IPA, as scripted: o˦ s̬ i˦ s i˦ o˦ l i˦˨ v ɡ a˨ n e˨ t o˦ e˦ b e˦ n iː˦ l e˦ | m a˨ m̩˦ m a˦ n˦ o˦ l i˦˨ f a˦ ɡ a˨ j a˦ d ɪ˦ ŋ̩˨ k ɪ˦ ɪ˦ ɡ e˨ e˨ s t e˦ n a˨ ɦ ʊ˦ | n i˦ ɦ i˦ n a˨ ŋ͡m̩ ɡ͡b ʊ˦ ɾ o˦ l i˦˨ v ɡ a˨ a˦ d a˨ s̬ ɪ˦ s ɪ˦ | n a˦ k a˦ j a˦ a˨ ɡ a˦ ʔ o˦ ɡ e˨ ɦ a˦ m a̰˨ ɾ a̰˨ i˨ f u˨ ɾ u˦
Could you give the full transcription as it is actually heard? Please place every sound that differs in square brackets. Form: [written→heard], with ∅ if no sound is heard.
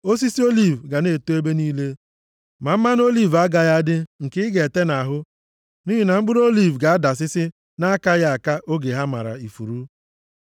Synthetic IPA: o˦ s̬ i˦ s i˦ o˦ l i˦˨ v ɡ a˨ n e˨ t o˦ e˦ b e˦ n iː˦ l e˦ | m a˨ m̩˦ m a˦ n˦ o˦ l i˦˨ [f→v] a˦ ɡ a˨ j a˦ d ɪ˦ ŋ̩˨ k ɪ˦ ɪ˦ ɡ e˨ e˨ [s→∅] t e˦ n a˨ ɦ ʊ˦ | n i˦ ɦ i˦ n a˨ ŋ͡m̩ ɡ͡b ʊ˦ ɾ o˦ l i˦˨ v ɡ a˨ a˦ d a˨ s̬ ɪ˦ s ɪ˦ | n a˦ k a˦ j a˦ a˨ [ɡ→k] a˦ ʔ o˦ ɡ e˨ ɦ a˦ m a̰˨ ɾ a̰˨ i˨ f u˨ ɾ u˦